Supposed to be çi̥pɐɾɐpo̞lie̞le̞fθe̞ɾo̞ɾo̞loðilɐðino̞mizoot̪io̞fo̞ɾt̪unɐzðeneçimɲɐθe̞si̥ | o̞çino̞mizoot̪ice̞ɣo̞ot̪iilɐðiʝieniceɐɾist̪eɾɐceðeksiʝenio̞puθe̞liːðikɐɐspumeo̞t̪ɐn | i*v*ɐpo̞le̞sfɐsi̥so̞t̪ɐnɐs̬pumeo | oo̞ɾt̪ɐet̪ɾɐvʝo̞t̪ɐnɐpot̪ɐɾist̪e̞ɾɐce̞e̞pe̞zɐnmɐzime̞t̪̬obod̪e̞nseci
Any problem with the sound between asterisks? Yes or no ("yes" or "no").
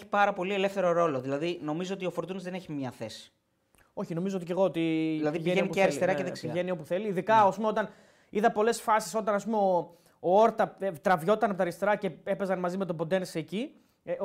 yes